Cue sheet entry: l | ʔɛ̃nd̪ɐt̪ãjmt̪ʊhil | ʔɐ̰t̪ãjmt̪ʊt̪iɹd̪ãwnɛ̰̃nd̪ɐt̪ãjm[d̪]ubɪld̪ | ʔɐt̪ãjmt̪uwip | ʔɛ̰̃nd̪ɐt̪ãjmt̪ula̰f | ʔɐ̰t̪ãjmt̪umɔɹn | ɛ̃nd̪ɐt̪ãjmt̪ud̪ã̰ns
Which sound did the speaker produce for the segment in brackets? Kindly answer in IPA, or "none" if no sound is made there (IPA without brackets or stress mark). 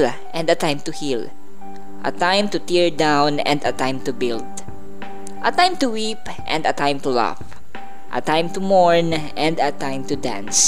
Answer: t̪